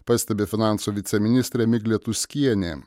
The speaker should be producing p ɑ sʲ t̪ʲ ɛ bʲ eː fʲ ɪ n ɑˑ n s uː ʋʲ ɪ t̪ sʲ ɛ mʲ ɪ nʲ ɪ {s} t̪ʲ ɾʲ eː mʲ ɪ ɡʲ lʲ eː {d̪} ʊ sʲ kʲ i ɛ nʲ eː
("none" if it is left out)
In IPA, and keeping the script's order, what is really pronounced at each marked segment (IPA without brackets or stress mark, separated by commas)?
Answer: s, t̪